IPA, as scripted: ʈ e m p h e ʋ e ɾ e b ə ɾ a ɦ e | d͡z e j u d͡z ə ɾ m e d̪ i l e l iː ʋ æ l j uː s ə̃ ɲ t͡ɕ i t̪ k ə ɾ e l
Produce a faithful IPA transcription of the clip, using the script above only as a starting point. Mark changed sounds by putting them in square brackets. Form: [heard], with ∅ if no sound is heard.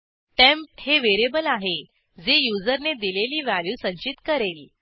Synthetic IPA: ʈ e m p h e ʋ e ɾ e b ə [l] a ɦ e | d͡z e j u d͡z ə ɾ [n] e d̪ i l e l iː ʋ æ l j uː s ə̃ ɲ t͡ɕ i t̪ k ə ɾ e l